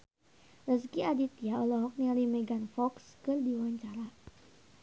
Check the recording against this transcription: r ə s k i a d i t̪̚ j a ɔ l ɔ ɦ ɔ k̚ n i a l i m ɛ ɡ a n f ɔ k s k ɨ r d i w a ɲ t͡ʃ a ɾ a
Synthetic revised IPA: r ə s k i a d i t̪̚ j a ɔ l ɔ ɦ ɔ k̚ n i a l i m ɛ ɡ a n f ɔ k s k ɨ r d i w a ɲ t͡ʃ a ɾ a